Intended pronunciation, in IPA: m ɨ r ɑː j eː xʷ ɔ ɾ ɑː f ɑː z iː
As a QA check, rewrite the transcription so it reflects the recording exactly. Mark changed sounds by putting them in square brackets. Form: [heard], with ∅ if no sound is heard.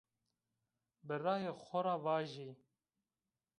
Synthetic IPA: [b] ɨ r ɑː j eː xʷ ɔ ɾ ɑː [v] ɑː [ʒ] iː